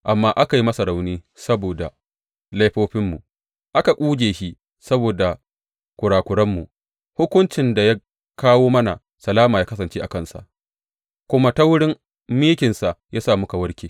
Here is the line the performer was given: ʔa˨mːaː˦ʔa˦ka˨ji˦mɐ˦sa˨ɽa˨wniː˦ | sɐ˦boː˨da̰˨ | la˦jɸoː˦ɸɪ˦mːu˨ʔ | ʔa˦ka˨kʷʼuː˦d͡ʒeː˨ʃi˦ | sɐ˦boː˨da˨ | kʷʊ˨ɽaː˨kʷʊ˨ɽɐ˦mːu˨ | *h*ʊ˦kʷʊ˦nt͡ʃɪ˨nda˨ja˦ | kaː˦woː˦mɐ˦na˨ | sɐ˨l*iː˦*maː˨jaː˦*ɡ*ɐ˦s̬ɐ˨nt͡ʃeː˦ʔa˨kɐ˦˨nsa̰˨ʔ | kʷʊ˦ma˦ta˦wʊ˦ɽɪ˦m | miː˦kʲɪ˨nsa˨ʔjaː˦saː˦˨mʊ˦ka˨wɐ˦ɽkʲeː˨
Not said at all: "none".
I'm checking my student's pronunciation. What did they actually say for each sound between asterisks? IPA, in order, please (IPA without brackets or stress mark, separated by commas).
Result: h, aː˦, k